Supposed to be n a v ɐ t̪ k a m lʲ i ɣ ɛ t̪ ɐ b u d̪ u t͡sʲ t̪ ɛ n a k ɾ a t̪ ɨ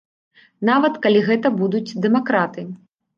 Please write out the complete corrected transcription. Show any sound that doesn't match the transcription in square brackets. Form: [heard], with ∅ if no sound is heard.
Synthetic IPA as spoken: n a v ɐ t̪ k a [∅] lʲ i ɣ ɛ t̪ ɐ b u d̪ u t͡sʲ [d̪] ɛ [m] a k ɾ a t̪ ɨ